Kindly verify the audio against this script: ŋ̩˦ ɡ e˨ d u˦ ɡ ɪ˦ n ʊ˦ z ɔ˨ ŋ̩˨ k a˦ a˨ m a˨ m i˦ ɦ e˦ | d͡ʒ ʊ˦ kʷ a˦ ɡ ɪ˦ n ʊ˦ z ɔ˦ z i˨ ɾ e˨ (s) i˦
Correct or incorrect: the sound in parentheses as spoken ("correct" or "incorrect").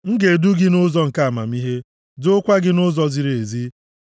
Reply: incorrect